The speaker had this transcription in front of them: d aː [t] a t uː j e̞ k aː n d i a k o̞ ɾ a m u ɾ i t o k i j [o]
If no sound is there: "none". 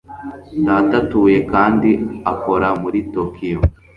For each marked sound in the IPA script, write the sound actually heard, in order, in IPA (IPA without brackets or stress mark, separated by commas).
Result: t, o